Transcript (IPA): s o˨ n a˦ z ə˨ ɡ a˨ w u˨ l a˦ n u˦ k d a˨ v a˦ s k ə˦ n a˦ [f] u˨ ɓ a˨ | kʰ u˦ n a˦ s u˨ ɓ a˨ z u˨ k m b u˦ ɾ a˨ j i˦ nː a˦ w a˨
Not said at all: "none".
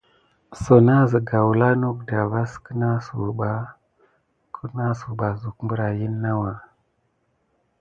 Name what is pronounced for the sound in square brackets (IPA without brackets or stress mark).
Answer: s